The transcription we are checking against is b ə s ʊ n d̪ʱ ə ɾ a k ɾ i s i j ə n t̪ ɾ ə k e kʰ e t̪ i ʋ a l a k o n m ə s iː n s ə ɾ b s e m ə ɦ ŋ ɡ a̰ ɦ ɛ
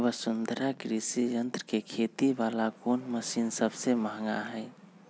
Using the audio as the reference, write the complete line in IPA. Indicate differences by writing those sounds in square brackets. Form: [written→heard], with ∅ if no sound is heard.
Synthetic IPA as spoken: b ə s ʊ n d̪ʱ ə ɾ a k ɾ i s i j ə n t̪ ɾ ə k e kʰ e t̪ i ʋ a l a k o n m ə s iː n s ə [ɾ→∅] b s e m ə ɦ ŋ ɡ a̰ ɦ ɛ